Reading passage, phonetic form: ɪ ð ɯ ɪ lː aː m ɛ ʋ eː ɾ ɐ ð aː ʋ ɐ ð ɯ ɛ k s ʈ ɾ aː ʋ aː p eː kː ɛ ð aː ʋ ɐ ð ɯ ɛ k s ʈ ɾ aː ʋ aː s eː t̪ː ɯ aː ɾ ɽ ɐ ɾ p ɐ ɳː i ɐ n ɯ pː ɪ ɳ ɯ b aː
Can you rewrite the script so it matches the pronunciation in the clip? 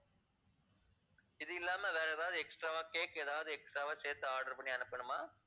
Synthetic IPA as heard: ɪ ð ɯ ɪ lː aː m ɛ ʋ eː ɾ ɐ ð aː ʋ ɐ ð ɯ ɛ k s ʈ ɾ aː ʋ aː k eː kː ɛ ð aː ʋ ɐ ð ɯ ɛ k s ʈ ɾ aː ʋ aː s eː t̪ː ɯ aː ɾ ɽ ɐ ɾ p ɐ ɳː i ɐ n ɯ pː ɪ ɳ ɯ m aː